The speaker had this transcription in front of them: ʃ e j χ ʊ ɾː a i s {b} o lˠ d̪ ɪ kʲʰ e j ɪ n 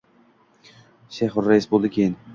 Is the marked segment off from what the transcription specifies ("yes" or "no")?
no